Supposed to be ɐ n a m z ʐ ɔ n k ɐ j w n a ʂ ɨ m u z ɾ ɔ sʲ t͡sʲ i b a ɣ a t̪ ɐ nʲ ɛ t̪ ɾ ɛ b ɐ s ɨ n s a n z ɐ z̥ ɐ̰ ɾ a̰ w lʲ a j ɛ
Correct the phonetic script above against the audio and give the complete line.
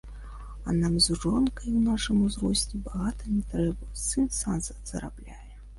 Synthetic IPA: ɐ n a m z ʐ ɔ n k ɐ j w n a ʂ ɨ m u z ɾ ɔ sʲ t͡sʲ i b a ɣ a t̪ ɐ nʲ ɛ t̪ ɾ ɛ b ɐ s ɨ n s a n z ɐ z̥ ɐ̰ ɾ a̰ b lʲ a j ɛ